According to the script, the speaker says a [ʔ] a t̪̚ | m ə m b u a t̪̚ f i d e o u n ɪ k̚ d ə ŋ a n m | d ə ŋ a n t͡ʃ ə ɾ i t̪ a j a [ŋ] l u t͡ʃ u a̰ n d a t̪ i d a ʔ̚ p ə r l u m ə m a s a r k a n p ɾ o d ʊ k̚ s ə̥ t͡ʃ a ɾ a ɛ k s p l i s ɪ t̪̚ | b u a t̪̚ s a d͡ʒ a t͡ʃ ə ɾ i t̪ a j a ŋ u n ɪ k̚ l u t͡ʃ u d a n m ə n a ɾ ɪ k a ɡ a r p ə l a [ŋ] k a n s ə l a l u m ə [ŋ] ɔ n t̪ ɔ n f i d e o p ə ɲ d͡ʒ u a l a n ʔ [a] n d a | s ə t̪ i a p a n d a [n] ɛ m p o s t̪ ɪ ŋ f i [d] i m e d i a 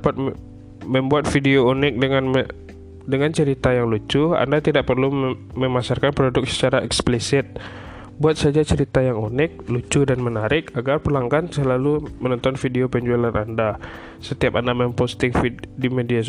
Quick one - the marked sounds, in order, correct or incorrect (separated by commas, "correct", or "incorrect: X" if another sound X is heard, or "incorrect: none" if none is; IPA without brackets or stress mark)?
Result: incorrect: p, correct, correct, incorrect: n, correct, incorrect: m, correct